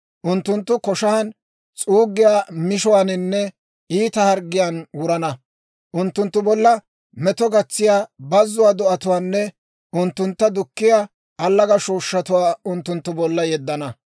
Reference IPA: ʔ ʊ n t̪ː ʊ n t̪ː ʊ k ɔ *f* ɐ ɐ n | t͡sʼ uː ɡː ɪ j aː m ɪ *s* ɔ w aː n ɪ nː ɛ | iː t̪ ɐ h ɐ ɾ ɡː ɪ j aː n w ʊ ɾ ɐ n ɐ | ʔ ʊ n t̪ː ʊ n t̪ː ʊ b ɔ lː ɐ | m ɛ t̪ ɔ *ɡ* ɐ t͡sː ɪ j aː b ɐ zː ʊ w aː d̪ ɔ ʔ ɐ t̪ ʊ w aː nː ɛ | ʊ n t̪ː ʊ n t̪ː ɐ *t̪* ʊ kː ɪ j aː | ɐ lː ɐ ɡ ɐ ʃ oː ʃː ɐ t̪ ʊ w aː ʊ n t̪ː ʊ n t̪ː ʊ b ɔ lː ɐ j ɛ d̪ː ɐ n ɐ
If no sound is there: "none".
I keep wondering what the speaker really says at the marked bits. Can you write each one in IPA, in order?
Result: ʃ, ʃ, ɡ, d̪

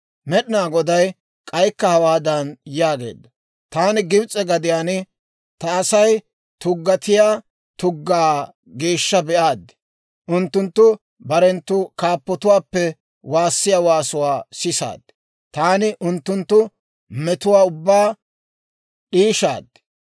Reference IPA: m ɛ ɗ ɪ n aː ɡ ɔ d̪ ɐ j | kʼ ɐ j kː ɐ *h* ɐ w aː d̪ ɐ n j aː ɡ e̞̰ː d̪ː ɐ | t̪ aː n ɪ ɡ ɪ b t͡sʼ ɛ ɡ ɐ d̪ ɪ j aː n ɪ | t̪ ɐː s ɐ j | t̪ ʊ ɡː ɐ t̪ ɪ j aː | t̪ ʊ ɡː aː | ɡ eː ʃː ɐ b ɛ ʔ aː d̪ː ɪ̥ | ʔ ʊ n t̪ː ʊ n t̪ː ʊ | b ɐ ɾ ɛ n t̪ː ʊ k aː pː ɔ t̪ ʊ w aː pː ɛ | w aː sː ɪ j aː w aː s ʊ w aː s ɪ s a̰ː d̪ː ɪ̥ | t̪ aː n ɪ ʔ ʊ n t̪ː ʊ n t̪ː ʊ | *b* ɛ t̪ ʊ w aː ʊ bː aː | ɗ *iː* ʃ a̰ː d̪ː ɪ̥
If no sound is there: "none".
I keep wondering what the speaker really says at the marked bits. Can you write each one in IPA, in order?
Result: h, m, iː

